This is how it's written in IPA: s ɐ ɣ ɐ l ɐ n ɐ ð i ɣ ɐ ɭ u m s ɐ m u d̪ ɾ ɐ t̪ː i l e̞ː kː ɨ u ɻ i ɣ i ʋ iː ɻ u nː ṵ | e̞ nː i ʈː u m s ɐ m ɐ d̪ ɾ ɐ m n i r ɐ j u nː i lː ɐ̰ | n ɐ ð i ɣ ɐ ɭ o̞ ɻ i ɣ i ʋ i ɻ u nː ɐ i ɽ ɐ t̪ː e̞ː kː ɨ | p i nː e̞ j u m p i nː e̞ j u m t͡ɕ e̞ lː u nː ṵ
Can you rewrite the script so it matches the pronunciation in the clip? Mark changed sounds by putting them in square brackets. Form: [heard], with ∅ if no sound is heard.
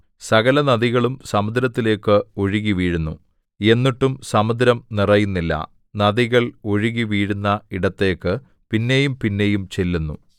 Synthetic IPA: s ɐ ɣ ɐ l ɐ n ɐ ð i ɣ ɐ ɭ u m s ɐ m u d̪ ɾ ɐ t̪ː i l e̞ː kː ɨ [o] ɻ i ɣ i ʋ iː ɻ u nː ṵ | e̞ nː i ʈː u m s ɐ m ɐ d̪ ɾ ɐ m n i r ɐ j u nː i lː ɐ̰ | n ɐ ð i ɣ ɐ ɭ o̞ ɻ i ɣ i ʋ [iː] ɻ u nː ɐ i ɽ ɐ t̪ː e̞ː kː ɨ | p i nː e̞ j u m p i nː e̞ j u m t͡ɕ e̞ lː u nː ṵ